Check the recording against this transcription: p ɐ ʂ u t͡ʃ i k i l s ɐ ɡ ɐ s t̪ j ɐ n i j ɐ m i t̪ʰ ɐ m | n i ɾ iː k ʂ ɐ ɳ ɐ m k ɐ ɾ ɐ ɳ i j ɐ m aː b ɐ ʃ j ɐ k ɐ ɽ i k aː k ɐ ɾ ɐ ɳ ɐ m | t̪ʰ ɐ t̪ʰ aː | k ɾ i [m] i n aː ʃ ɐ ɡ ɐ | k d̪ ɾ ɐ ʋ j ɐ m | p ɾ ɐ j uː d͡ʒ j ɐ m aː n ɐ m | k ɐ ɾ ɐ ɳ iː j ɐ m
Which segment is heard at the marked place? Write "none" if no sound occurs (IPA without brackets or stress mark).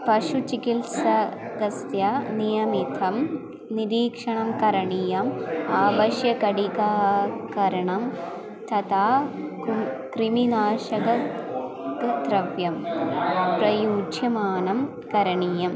m